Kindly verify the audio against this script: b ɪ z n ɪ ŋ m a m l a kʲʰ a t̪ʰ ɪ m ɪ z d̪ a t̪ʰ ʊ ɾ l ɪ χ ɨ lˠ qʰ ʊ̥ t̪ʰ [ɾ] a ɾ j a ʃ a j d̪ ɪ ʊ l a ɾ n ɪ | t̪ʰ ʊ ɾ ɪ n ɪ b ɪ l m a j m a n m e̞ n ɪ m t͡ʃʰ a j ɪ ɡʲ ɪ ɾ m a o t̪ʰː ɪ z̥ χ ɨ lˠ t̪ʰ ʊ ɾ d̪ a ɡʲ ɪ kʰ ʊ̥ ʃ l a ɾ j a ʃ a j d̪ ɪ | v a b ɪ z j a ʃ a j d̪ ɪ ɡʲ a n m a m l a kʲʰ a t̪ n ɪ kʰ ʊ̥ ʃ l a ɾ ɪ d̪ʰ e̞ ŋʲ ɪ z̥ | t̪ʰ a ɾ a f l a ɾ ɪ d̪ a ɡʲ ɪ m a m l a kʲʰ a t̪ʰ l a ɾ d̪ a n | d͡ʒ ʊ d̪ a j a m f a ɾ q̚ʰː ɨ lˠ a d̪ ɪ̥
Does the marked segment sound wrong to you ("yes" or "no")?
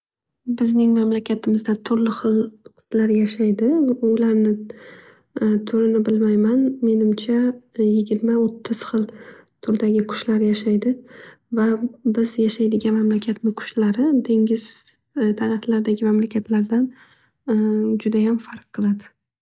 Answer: yes